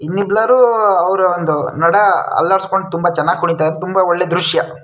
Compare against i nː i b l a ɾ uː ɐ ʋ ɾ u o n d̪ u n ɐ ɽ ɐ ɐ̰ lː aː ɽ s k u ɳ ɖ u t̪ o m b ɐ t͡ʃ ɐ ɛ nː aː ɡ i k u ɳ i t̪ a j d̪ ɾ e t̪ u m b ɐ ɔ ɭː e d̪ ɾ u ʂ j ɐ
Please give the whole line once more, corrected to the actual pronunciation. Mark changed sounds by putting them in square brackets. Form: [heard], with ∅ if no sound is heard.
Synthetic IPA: i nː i b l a ɾ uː ɐ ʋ ɾ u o n d̪ u n ɐ ɽ ɐ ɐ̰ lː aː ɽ s k [o] ɳ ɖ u t̪ [u] m b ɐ t͡ʃ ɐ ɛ nː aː ɡ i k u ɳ i t̪ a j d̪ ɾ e t̪ u m b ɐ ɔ ɭː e d̪ ɾ u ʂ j ɐ